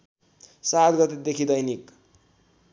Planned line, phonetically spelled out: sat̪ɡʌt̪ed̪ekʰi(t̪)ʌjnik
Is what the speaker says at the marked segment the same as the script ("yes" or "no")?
no